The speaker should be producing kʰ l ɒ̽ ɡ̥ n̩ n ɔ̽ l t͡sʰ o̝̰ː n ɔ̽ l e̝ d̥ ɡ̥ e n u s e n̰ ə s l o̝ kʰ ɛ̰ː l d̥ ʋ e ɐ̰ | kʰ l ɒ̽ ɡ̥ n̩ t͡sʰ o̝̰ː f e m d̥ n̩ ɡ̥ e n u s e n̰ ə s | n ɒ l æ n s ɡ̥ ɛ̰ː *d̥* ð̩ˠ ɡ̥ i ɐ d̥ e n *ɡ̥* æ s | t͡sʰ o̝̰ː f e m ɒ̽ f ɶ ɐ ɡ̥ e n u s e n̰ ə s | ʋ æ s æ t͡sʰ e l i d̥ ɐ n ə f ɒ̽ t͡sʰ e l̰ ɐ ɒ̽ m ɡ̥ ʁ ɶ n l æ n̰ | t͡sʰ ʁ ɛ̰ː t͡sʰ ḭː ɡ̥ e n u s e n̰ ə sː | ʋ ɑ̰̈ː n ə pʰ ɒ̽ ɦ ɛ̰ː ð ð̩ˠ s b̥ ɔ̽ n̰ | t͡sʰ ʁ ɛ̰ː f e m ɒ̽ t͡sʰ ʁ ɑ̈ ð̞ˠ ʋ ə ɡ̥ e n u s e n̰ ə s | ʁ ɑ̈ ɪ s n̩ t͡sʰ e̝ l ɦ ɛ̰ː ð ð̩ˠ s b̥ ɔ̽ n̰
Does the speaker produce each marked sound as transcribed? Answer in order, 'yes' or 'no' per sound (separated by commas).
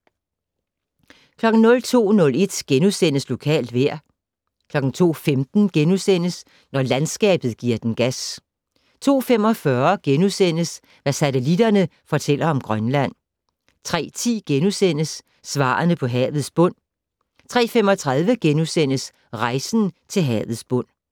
no, yes